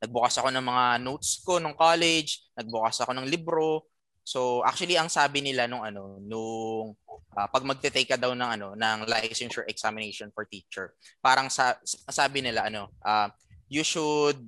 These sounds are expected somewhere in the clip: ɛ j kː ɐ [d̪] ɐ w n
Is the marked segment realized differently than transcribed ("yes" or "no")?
no